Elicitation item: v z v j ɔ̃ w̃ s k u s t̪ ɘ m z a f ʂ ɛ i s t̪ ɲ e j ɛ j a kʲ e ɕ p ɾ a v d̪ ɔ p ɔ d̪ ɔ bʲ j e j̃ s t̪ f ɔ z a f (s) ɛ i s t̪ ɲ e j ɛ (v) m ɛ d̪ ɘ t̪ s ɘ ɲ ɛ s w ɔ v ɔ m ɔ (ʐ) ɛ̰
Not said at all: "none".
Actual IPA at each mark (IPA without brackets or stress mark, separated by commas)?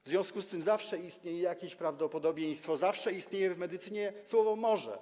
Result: ʂ, v, ʐ